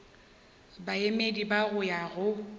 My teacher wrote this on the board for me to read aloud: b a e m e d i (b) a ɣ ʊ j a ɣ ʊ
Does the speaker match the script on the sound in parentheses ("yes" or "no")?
yes